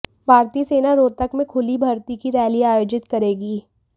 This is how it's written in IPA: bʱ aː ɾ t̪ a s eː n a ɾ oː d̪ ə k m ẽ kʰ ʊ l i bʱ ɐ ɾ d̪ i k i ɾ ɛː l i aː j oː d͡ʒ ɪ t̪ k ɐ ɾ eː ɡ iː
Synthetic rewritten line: bʱ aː ɾ t̪ i s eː n a ɾ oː t̪ ə k m ẽ kʰ ʊ l i bʱ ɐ ɾ t̪ i k i ɾ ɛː l i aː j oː d͡ʒ ɪ t̪ k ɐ ɾ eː ɡ iː